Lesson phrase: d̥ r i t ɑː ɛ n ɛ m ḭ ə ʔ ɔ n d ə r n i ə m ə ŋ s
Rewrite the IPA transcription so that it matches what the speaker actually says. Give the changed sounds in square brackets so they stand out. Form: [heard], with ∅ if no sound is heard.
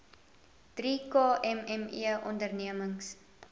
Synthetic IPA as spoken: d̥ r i [k] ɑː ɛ [m] ɛ m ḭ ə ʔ ɔ n d ə r n i ə m ə ŋ s